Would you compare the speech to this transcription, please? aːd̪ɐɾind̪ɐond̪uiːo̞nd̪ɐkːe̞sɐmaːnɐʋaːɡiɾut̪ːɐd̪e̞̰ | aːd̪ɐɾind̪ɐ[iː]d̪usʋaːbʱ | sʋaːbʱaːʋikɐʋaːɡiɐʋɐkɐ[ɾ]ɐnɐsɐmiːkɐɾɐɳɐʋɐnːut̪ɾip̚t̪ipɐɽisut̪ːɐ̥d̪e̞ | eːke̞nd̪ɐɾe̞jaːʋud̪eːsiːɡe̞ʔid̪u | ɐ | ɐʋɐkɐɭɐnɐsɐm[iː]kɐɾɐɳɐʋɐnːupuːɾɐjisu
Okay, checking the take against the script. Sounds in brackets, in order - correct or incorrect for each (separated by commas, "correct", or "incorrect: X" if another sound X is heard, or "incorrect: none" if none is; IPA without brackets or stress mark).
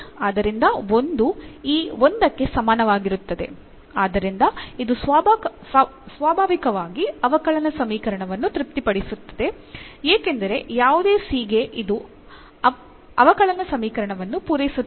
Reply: incorrect: i, incorrect: ɭ, correct